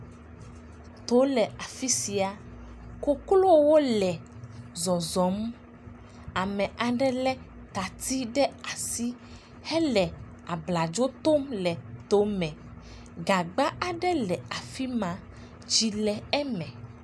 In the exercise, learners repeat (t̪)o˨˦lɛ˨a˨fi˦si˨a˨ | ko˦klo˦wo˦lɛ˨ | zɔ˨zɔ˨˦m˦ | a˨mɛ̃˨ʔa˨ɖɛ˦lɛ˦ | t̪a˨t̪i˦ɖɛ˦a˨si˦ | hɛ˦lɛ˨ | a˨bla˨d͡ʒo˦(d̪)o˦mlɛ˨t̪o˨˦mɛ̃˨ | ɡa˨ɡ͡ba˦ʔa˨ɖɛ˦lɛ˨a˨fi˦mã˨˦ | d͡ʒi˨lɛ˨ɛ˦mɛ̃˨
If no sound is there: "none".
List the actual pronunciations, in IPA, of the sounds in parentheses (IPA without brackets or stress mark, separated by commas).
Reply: t̪, t̪